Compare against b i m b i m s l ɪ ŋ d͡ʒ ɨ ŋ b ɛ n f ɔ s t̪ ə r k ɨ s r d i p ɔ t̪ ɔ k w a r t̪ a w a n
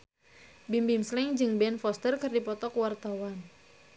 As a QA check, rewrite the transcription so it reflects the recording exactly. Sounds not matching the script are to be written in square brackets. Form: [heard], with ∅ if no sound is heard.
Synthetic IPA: b i m b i m s l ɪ ŋ d͡ʒ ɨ ŋ b ɛ n f ɔ s t̪ ə r k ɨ [∅] r d i p ɔ t̪ ɔ k w a r t̪ a w a n